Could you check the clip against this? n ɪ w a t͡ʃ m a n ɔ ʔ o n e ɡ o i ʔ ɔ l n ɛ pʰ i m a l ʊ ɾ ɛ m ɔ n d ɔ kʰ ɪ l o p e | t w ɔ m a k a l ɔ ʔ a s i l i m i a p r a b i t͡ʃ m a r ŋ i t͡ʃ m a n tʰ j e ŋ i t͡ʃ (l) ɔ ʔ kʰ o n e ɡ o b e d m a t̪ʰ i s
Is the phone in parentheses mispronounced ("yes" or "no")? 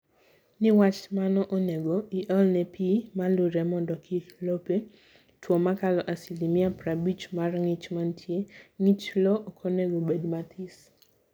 no